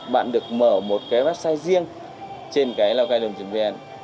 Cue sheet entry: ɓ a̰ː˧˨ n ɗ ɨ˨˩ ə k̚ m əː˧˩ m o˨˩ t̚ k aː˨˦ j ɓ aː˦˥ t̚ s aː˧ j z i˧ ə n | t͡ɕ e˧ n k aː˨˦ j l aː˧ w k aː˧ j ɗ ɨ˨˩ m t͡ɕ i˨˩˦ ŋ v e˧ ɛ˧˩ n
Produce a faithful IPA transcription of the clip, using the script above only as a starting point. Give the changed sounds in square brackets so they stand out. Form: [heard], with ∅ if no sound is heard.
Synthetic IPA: ɓ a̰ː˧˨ n ɗ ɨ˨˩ ə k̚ m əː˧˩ m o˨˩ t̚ k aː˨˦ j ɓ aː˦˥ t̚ s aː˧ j z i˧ ə [ŋ] | t͡ɕ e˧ n k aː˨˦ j l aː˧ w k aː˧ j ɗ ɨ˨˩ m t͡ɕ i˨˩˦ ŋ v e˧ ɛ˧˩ n